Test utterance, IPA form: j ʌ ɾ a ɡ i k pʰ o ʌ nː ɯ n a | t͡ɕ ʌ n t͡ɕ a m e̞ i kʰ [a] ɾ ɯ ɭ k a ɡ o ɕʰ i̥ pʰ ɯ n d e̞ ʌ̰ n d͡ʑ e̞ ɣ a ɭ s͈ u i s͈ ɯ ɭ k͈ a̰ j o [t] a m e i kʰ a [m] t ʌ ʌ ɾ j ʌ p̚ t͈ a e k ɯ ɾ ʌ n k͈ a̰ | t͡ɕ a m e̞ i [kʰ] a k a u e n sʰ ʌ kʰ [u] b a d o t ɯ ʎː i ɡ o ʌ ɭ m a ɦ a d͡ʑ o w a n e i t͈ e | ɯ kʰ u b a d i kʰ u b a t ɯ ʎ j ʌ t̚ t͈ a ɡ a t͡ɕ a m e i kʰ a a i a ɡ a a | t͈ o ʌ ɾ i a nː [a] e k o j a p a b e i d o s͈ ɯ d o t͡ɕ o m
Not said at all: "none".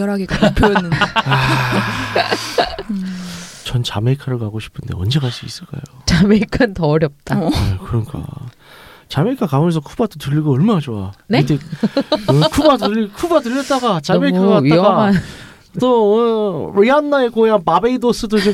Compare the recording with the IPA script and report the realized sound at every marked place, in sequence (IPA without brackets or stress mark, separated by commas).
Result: a, t͡ɕ, n, kʰ, u, a